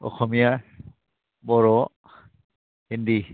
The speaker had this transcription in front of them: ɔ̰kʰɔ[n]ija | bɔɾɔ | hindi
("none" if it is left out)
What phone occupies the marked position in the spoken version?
m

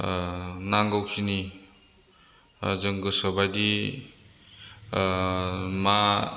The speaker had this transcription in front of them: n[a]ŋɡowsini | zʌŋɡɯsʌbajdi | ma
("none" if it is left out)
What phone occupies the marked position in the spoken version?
a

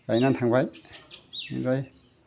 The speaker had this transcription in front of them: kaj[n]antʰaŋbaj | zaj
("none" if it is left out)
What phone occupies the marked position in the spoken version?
n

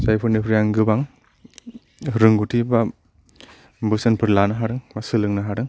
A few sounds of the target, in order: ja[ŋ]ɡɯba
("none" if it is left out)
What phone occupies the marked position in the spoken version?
ŋ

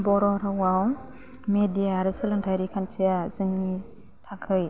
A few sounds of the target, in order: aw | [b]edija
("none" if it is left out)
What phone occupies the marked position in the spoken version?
m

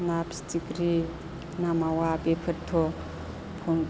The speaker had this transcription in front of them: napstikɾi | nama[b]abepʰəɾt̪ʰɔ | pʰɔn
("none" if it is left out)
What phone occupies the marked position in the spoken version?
w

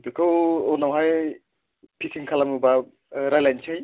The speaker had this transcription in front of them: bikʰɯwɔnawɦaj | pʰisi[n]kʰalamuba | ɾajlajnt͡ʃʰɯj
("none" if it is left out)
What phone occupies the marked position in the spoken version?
ŋ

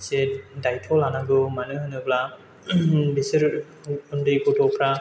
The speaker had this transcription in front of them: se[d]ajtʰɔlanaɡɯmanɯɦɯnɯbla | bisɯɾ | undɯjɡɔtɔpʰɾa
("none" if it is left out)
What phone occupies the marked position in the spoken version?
d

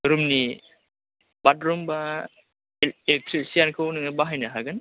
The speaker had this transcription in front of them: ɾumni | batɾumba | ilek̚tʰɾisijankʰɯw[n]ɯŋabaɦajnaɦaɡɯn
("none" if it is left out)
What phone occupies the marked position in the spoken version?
n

